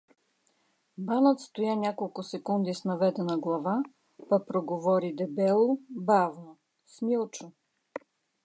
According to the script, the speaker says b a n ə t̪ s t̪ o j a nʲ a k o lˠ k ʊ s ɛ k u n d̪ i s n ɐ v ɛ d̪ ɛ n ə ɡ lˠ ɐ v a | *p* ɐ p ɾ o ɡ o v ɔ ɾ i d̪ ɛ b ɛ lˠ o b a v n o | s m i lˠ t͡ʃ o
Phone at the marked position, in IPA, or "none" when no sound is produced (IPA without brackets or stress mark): p